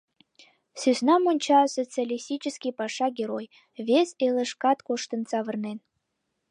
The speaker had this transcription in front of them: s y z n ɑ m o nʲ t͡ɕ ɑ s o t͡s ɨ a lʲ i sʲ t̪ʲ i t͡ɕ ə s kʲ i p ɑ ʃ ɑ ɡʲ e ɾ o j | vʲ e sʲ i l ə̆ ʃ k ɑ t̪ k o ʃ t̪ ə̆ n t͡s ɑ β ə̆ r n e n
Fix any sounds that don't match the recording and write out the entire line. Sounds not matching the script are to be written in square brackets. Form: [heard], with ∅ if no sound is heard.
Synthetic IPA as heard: s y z n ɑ m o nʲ t͡ɕ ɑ s o t͡s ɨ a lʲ i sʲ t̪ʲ i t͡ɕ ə s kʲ i p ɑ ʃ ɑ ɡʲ e ɾ o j | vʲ e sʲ [e] l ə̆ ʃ k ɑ t̪ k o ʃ t̪ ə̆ n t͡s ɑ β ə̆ r n e n